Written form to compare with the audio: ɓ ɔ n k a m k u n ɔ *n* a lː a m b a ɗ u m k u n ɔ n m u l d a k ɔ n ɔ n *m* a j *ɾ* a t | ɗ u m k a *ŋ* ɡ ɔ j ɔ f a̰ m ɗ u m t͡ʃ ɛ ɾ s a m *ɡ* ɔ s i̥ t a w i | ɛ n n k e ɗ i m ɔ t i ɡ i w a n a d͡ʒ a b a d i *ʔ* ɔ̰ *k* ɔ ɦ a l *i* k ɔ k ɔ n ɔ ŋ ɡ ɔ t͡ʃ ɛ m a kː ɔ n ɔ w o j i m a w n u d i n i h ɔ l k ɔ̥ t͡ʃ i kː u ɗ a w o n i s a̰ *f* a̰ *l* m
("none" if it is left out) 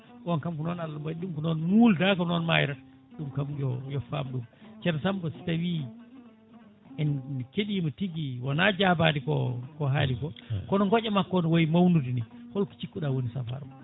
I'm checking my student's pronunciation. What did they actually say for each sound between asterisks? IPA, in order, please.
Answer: n, m, ɾ, m, b, k, k, i, f, ɾ

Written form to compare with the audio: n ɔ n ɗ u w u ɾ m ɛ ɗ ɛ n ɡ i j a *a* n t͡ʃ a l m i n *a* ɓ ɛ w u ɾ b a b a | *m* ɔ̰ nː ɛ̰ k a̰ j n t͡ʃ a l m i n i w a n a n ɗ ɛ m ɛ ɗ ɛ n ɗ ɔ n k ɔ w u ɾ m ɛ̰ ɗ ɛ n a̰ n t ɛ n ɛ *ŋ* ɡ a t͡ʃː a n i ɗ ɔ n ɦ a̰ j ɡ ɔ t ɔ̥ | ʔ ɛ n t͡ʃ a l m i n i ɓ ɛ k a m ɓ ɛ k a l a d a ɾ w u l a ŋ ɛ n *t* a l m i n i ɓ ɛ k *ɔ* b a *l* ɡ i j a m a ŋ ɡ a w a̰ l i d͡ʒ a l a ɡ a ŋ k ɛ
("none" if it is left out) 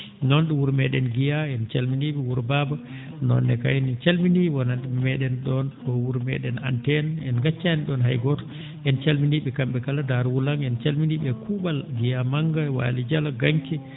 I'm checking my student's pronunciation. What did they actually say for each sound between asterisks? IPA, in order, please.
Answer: ɛ, i, n, n, t͡ʃ, u, l

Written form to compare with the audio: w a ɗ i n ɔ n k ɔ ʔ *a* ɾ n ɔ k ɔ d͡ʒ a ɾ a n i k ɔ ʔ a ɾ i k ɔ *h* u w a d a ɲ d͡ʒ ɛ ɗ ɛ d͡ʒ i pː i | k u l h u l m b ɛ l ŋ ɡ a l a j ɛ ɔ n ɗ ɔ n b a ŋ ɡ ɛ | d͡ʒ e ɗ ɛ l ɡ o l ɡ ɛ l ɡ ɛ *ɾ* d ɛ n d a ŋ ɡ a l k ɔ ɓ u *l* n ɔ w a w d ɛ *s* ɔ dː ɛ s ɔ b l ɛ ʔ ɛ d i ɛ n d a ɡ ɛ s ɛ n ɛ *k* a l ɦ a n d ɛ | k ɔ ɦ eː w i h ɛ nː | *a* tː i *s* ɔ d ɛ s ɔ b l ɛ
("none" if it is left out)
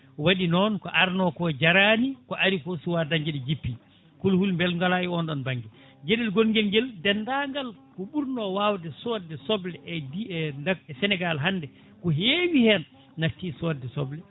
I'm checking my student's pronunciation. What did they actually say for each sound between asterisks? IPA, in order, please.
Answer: a, s, l, ɾ, s, ɡ, a, s

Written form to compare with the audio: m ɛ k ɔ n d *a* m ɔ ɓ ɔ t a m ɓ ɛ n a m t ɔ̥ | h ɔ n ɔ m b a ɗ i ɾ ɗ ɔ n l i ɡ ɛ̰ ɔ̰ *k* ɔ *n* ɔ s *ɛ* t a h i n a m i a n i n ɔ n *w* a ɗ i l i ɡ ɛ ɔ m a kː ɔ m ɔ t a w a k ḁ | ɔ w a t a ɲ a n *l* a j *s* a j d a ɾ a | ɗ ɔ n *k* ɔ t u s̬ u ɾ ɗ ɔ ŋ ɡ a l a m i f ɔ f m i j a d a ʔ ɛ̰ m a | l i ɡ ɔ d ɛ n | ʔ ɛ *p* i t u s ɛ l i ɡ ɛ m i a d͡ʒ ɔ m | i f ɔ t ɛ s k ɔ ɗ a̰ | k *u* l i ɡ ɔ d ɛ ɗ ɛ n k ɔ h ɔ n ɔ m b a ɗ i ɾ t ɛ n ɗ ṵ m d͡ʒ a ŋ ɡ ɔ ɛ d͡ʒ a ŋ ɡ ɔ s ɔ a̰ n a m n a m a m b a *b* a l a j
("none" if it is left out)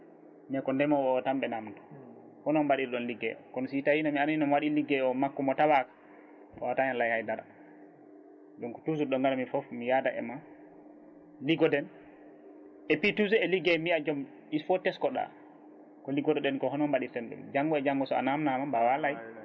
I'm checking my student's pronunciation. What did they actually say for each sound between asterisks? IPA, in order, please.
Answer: ɛ, k, n, i, w, l, h, k, p, ɔ, w

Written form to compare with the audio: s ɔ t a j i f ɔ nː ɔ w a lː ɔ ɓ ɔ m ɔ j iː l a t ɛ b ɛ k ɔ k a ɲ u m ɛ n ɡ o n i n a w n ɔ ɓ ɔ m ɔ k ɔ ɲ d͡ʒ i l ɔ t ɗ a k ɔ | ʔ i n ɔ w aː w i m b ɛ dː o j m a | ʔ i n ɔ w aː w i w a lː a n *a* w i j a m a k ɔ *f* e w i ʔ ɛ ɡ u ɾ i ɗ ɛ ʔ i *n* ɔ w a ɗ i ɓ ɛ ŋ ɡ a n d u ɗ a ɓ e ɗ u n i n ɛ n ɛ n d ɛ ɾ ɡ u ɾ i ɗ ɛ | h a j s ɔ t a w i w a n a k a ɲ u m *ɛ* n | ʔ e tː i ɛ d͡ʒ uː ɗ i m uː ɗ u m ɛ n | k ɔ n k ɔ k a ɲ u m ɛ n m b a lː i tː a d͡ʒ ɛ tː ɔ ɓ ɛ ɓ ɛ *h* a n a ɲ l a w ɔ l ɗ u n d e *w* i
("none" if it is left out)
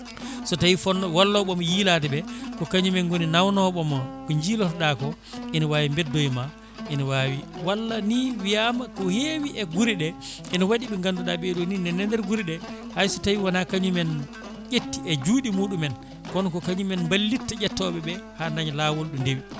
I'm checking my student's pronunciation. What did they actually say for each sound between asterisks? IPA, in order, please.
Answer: i, h, n, ɛ, h, w

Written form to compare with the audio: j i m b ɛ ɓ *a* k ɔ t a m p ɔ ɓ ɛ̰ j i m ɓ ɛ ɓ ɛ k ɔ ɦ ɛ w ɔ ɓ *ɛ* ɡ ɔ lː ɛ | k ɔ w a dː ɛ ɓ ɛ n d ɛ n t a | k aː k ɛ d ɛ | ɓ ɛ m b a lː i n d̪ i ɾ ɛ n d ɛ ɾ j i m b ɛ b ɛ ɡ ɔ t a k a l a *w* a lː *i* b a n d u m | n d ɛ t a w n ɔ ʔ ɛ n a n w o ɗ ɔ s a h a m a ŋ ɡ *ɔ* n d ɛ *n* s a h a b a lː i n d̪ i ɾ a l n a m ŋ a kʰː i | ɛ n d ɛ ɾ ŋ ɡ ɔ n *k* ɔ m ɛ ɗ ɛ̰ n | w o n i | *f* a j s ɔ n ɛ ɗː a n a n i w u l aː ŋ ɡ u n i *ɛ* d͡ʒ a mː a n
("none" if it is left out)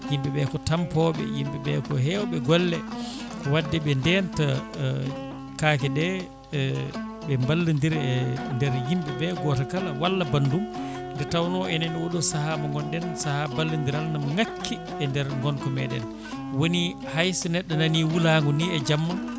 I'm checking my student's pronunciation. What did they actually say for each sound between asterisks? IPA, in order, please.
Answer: ɛ, ɛ, w, a, ɔ, n, k, h, ɛ

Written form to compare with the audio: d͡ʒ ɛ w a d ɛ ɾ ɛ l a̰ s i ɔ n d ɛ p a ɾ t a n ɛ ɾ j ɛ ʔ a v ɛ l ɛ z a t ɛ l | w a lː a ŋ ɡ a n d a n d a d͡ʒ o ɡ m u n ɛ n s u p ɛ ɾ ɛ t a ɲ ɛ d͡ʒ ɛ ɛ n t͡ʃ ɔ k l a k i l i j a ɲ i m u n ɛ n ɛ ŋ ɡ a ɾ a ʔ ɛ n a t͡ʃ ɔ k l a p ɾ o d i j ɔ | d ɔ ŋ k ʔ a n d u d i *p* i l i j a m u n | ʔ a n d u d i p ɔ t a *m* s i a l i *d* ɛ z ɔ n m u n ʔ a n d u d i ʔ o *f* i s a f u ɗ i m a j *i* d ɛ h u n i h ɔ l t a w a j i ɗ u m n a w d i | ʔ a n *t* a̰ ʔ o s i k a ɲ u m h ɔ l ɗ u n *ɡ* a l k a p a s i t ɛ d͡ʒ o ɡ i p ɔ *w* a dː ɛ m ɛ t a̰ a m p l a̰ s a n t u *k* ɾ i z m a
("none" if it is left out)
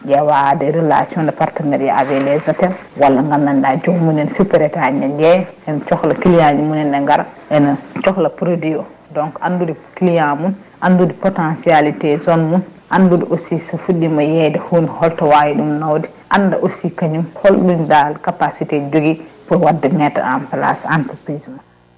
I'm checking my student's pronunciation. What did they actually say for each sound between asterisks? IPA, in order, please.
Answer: k, n, t, s, ɛ, d, d, w, p

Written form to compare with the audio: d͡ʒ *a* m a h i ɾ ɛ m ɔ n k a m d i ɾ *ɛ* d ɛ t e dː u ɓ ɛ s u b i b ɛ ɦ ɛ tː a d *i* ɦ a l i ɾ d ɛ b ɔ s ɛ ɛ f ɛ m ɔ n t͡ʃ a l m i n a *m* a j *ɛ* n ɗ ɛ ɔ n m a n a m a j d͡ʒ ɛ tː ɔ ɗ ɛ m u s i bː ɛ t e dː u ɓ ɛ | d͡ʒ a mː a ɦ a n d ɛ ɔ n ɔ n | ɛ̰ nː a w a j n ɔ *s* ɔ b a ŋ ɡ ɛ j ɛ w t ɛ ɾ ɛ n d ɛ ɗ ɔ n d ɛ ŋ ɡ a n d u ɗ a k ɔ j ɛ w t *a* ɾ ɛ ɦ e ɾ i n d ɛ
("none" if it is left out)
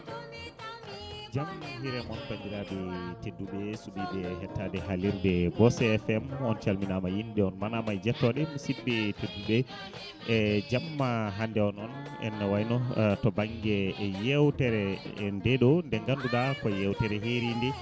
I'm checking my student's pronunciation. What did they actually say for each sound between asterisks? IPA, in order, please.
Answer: a, a, ɛ, m, i, t, ɛ

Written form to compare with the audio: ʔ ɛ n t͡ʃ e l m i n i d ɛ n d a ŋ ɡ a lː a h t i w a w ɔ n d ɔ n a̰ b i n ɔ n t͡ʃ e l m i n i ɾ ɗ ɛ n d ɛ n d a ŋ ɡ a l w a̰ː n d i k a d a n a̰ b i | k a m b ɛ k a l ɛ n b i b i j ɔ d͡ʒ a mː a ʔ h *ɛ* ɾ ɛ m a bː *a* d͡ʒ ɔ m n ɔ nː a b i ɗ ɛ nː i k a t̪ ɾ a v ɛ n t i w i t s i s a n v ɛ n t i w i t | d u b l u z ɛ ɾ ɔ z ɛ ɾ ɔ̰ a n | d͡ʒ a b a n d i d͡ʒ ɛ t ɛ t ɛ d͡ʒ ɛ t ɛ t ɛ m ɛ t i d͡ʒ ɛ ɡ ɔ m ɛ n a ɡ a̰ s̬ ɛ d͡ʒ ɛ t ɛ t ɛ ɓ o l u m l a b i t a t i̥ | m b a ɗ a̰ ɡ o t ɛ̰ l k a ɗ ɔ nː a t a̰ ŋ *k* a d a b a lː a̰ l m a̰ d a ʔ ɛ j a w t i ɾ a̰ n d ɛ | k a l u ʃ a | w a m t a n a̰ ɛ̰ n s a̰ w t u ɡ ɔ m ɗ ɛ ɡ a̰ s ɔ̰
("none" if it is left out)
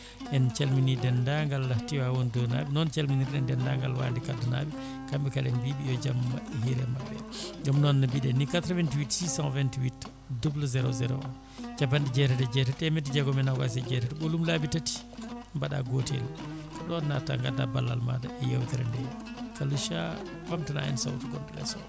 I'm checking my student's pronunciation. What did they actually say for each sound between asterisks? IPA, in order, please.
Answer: i, ɛ, ɡ

